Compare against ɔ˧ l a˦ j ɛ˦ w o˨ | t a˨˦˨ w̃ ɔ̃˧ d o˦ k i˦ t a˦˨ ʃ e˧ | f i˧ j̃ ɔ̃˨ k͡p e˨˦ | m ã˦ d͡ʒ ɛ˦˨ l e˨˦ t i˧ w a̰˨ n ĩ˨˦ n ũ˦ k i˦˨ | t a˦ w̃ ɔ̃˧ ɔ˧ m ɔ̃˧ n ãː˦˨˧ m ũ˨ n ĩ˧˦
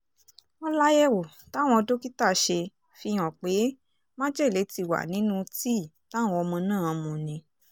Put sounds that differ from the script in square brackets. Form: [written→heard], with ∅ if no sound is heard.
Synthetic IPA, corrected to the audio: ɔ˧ l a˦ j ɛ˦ w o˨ | t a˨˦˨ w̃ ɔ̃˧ d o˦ k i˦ t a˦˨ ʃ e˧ | f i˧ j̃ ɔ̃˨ k͡p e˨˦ | m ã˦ d͡ʒ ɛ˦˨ l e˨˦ t i˧ w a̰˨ n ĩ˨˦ n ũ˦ [k→t] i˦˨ | t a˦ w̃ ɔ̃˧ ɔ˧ m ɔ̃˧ n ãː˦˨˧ m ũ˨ n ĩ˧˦